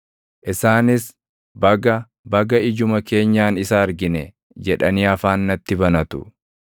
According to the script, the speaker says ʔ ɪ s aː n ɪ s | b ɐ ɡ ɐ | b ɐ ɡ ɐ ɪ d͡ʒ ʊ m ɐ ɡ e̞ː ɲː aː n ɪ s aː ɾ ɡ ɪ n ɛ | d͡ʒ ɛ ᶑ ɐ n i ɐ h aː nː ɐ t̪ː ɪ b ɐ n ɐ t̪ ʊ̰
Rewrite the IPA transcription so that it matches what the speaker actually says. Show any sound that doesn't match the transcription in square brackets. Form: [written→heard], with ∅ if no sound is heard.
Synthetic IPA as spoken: ʔ ɪ s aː n ɪ s | b ɐ ɡ ɐ | b ɐ ɡ ɐ ɪ d͡ʒ ʊ m ɐ [ɡ→k] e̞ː ɲː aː n ɪ s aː ɾ ɡ ɪ n ɛ | d͡ʒ ɛ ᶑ ɐ n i ɐ [h→f] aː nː ɐ t̪ː ɪ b ɐ n ɐ t̪ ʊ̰

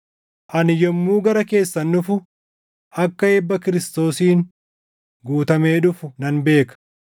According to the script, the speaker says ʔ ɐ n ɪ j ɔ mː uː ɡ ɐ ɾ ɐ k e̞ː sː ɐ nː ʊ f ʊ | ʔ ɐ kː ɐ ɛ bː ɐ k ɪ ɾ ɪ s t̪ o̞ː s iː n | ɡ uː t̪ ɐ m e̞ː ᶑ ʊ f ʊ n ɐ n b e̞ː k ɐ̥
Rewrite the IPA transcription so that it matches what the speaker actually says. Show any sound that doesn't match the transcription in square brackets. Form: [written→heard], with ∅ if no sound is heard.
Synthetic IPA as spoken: ʔ ɐ n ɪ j ɔ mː uː ɡ ɐ ɾ ɐ k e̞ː sː ɐ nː ʊ f ʊ | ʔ ɐ kː ɐ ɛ bː ɐ k ɪ ɾ ɪ s t̪ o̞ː s iː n | ɡ uː t̪ ɐ m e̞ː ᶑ ʊ f ʊ n ɐ n b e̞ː k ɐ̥

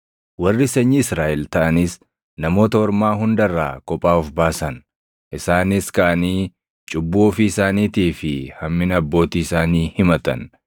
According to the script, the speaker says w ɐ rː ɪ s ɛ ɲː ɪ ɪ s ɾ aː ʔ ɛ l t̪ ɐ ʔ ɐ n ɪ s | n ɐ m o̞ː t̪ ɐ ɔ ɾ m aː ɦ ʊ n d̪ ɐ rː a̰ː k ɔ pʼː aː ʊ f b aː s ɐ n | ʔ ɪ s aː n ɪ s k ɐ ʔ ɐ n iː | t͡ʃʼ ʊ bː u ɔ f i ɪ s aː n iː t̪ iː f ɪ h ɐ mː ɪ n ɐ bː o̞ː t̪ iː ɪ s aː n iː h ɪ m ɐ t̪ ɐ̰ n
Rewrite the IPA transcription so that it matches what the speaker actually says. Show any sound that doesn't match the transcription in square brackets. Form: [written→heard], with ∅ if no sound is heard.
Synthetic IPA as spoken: w ɐ rː ɪ s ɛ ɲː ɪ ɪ s ɾ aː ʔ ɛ l t̪ ɐ ʔ ɐ n ɪ s | n ɐ m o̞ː t̪ ɐ ɔ ɾ m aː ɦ ʊ n d̪ ɐ rː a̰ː k ɔ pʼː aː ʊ f b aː s ɐ n | ʔ ɪ s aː n ɪ s k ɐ ʔ ɐ n iː | t͡ʃʼ ʊ bː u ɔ f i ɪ s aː n iː t̪ iː f ɪ h ɐ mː ɪ n ɐ bː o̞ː t̪ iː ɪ s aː n iː h ɪ m ɐ t̪ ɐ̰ n

